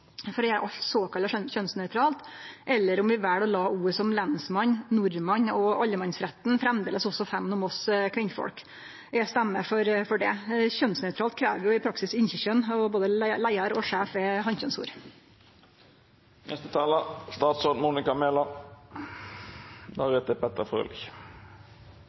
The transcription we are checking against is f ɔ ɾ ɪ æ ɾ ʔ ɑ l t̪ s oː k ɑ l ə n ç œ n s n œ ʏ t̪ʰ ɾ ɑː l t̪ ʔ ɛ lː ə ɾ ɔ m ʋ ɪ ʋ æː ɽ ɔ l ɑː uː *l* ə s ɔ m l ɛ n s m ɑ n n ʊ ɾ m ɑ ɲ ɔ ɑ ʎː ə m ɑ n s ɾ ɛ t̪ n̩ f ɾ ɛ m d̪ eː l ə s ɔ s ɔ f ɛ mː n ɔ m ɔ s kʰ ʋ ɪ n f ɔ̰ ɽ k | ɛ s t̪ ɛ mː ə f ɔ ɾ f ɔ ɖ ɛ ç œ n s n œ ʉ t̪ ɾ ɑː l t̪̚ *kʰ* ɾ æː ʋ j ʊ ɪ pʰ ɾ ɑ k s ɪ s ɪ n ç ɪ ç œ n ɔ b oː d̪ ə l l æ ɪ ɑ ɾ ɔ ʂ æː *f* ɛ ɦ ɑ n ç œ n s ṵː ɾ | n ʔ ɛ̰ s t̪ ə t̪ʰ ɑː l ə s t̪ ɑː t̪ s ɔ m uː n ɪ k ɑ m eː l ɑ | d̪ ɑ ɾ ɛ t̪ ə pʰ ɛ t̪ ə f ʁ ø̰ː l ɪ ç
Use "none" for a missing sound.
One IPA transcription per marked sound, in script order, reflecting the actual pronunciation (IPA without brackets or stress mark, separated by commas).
ɾ, kʰ, f